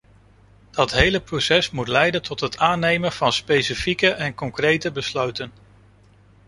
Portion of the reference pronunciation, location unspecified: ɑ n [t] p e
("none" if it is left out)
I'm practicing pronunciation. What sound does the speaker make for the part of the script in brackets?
s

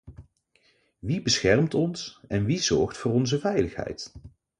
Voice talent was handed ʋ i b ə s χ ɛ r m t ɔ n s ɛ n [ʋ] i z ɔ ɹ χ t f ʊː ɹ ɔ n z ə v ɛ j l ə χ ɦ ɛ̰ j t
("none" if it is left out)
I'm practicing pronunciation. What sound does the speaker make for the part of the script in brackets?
ʋ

